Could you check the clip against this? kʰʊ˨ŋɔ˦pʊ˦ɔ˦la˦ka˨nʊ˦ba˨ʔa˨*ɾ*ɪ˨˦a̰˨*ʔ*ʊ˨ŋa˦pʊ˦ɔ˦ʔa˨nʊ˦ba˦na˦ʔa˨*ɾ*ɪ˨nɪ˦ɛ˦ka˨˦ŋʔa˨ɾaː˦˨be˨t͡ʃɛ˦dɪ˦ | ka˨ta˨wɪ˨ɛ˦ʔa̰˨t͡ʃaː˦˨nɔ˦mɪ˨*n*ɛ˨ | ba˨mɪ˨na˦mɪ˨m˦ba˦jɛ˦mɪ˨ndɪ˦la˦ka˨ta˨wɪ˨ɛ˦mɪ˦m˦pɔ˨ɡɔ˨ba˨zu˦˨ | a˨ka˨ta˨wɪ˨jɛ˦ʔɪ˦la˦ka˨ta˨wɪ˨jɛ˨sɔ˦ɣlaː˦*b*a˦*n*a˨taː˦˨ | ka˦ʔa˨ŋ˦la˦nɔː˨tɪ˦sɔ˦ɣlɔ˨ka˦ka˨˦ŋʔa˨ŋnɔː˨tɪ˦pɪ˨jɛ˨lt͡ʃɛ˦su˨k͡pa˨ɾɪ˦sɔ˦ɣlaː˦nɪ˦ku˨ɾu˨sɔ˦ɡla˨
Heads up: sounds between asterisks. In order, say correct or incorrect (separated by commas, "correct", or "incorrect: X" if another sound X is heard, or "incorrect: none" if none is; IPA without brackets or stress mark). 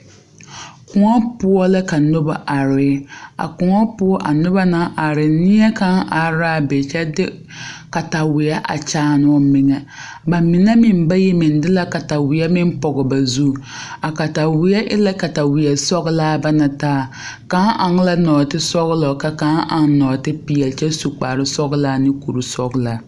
correct, incorrect: k, correct, incorrect: ŋ, correct, correct